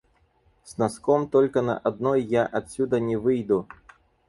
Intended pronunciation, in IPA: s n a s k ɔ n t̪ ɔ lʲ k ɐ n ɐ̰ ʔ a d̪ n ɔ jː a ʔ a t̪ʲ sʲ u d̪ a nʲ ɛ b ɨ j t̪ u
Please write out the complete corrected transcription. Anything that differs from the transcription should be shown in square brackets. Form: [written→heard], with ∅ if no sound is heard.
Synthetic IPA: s n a s k ɔ [n→m] t̪ ɔ lʲ k ɐ n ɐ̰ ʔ a d̪ n ɔ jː a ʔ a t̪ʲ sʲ u d̪ [a→ɐ] nʲ ɛ [b→v] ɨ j [t̪→d̪] u